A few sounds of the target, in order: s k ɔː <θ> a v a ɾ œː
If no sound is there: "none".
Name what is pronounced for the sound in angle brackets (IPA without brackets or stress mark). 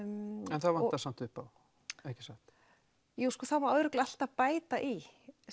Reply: θ